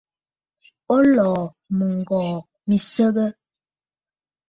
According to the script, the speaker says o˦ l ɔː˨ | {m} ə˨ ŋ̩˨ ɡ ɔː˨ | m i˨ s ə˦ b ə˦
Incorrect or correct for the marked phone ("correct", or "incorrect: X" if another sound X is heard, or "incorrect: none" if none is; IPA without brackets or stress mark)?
correct